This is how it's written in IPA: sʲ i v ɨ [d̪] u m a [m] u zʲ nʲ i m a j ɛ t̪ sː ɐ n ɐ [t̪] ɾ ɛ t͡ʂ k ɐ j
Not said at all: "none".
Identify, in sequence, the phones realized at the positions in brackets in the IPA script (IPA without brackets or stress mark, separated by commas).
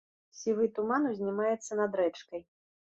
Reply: t̪, n, d̪